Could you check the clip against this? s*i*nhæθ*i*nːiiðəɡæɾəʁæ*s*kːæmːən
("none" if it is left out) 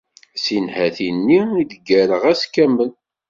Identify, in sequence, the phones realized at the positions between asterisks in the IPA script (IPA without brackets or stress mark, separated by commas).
i, i, s